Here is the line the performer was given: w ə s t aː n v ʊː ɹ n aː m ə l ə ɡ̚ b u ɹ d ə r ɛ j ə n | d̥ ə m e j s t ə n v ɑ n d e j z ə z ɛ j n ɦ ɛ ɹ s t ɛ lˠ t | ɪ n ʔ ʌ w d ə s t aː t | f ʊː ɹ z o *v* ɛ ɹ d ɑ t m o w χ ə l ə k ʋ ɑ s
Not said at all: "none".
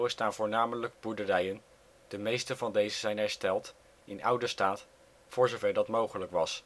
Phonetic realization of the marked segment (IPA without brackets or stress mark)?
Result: v